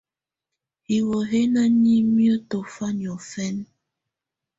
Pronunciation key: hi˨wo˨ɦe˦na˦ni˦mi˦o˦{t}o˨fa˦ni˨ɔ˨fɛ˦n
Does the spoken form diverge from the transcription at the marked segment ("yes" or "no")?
no